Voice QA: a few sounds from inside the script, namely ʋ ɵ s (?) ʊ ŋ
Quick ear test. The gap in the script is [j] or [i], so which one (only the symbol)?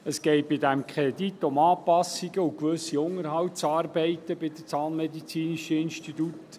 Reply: i